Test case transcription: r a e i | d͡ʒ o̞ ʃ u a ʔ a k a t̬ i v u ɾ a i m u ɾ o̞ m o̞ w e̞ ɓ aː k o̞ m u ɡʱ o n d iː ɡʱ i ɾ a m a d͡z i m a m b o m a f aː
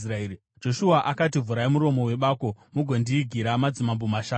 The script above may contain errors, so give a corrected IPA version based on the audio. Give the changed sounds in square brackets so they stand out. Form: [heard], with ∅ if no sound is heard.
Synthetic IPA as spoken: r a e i | d͡ʒ o̞ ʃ u a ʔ a k a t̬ i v u ɾ a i m u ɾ o̞ m o̞ w e̞ ɓ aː k o̞ m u ɡʱ o n d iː ɡʱ i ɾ a m a d͡z i m a m b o m a [ʃ] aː